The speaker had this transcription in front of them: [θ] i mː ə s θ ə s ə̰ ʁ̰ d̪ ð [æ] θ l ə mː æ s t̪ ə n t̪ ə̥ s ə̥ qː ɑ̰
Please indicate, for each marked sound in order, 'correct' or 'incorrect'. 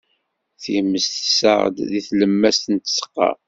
correct, incorrect

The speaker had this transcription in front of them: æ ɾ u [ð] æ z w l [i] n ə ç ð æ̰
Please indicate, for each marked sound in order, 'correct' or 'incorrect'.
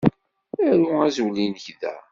incorrect, correct

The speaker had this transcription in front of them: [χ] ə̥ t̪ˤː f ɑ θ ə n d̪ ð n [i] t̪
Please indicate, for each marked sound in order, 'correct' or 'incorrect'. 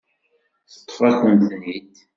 incorrect, correct

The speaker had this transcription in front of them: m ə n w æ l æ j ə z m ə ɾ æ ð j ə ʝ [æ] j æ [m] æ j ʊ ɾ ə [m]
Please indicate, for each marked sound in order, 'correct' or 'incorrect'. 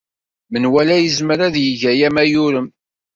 correct, correct, correct

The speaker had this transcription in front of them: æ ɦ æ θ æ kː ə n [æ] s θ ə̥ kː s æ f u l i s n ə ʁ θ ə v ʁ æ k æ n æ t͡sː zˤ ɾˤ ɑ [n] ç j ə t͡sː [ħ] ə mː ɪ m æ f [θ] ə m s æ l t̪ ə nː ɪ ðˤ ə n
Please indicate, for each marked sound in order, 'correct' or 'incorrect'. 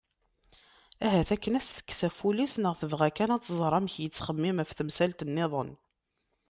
correct, incorrect, incorrect, correct

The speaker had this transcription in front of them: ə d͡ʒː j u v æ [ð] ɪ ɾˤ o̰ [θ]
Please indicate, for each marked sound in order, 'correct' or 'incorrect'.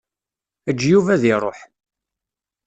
correct, incorrect

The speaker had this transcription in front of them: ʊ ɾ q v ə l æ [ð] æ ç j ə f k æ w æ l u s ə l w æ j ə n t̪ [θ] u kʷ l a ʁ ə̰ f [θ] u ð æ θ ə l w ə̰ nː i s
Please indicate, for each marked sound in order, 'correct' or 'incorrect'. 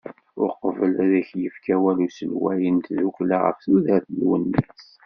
correct, incorrect, correct

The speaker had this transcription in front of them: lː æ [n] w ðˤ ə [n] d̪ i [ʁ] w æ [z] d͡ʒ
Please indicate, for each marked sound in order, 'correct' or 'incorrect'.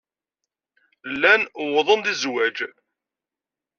correct, correct, incorrect, incorrect

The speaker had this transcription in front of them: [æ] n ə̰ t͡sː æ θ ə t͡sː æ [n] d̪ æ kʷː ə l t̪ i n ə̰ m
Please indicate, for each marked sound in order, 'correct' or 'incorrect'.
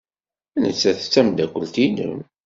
correct, incorrect

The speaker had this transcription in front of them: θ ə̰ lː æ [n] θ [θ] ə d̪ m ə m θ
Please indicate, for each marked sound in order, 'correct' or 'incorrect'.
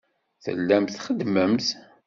incorrect, incorrect

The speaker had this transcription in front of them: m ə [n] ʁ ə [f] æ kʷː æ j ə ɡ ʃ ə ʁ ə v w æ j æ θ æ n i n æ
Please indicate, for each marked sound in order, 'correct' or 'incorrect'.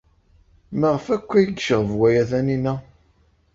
incorrect, correct

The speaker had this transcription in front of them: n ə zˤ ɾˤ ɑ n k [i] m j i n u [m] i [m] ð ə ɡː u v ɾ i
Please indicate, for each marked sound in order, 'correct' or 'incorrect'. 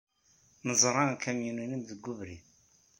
incorrect, incorrect, correct

